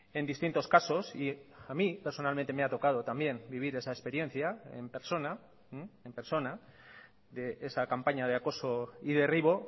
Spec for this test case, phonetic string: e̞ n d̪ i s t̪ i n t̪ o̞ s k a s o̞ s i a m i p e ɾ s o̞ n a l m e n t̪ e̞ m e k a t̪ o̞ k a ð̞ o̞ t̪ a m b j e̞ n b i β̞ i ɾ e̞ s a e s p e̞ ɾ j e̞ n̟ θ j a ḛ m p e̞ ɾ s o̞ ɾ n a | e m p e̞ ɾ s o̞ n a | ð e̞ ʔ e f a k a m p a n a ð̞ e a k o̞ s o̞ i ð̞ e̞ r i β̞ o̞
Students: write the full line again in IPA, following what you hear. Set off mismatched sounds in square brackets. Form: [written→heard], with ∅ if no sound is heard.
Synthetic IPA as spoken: e̞ n d̪ i s t̪ i n t̪ o̞ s k a s o̞ s i a m i p e ɾ s o̞ n a l m e n t̪ e̞ m e [k→∅] a t̪ o̞ k a ð̞ o̞ t̪ a m b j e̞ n b i β̞ i ɾ e̞ s a e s p e̞ ɾ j e̞ n̟ θ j a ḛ m p e̞ ɾ s o̞ [ɾ→∅] n a | e m p e̞ ɾ s o̞ n a | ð e̞ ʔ e [f→s] a k a m p a [n→ɲ] a ð̞ e a k o̞ s o̞ i ð̞ e̞ r i β̞ o̞